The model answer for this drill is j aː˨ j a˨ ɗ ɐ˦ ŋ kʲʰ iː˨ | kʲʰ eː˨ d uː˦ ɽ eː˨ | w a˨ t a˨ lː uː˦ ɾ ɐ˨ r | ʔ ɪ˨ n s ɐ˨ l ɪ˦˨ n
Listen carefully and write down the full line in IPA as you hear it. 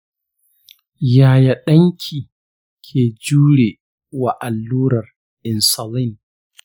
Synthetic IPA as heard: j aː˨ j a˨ ɗ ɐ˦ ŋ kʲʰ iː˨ | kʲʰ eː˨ d͡ʒ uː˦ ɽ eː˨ | w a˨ ʔ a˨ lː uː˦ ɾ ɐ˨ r | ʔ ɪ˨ n s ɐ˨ l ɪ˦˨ n